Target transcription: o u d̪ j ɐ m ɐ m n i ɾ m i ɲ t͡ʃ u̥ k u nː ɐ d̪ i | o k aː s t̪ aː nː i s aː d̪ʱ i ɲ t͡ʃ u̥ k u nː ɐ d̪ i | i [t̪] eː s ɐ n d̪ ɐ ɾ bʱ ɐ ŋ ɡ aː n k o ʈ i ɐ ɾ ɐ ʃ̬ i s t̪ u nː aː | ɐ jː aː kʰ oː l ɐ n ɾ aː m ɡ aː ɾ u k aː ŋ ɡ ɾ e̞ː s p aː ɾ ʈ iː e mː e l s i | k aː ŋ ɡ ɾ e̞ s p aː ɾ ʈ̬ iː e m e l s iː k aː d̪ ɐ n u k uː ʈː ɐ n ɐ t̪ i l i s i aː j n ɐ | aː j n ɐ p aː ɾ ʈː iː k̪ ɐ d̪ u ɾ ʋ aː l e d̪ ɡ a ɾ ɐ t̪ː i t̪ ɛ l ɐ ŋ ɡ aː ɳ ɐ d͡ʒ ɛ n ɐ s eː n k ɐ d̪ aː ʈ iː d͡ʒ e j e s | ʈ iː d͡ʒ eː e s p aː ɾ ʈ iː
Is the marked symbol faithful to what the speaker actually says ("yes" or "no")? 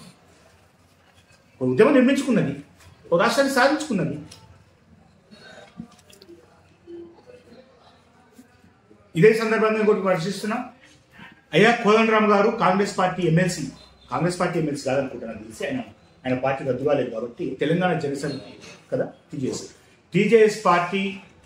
no